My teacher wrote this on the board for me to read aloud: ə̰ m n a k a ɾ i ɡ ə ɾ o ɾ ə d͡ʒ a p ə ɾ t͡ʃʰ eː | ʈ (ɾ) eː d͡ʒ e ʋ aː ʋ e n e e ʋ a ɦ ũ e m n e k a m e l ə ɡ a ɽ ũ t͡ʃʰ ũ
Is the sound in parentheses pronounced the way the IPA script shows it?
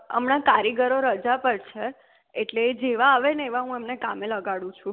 no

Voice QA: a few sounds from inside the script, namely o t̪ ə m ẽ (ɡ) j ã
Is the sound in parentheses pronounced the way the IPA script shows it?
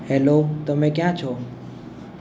no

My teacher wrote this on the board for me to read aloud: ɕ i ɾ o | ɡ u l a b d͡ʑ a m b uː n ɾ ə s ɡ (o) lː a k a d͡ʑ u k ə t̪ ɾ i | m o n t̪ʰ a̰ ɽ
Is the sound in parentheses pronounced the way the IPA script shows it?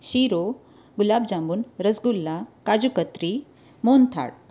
no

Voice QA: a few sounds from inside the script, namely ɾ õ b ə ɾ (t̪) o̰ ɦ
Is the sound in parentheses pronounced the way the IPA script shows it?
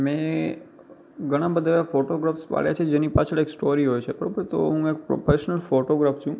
yes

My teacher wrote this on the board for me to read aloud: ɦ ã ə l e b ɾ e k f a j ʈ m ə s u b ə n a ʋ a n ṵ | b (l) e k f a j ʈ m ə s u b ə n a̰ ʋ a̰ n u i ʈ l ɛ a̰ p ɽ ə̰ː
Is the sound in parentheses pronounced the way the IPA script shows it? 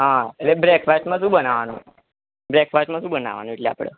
no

